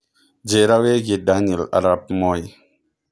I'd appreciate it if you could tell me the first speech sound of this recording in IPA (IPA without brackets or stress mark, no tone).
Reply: d͡ʒ